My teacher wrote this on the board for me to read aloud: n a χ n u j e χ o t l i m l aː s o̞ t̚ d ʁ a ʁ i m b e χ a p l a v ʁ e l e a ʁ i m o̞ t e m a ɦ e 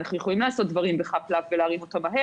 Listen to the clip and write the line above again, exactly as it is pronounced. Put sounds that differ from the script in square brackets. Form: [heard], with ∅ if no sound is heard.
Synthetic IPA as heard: n a χ n u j e χ o [∅] l i m l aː s o̞ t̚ d [v] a ʁ i m b e χ a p l a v [v] e l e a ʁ i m o̞ t [a] m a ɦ e